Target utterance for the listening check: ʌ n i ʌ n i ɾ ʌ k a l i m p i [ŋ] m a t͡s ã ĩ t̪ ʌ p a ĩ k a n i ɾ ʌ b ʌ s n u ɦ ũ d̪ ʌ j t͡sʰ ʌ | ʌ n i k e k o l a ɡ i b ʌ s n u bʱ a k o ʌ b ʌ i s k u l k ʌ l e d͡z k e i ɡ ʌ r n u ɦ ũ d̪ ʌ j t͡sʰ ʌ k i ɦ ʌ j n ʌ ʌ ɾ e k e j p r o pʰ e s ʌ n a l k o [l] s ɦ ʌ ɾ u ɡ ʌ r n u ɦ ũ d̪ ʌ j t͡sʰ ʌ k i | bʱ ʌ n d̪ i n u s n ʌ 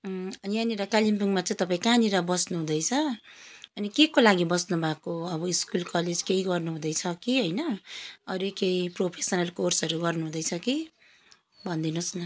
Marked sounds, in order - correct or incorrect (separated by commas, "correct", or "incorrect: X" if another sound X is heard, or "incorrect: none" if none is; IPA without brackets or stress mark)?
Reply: correct, incorrect: r